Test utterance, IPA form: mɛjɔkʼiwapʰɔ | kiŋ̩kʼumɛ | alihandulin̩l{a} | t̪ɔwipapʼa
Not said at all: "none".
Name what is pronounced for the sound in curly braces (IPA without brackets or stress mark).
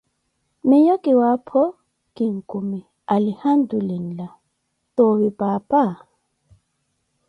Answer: a